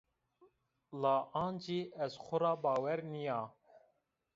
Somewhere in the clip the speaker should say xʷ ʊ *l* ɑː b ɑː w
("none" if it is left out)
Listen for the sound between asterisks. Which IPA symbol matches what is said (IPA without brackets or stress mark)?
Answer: ɾ